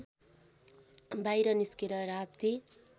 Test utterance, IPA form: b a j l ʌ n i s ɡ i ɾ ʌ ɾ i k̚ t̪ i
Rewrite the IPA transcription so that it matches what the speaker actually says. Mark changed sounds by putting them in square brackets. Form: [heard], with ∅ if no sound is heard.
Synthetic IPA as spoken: b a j [ɾ] ʌ n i s [k] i ɾ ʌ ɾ [a] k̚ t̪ i

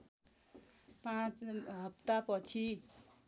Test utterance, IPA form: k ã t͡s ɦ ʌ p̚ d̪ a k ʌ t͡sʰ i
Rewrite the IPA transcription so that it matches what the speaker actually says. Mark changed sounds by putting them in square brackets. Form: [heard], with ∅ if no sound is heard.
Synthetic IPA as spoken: [p] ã t͡s ɦ ʌ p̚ [t̪] a [p] ʌ t͡sʰ i

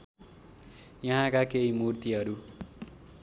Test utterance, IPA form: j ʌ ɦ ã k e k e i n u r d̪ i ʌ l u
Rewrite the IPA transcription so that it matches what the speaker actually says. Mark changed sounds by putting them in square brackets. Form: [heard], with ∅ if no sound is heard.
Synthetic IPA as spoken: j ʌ ɦ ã k [a] k e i [m] u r [t̪] i ʌ [ɾ] u

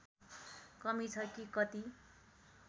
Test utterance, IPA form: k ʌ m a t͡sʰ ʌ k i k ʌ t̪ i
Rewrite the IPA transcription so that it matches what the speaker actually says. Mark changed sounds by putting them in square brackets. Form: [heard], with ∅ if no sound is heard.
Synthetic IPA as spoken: k ʌ m [i] t͡sʰ ʌ k i k ʌ t̪ i

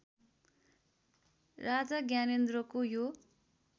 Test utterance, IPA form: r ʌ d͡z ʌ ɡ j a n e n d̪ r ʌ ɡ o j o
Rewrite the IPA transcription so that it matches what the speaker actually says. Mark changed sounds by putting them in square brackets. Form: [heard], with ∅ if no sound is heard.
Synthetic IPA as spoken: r [a] d͡z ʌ ɡ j a n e n d̪ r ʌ [k] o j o

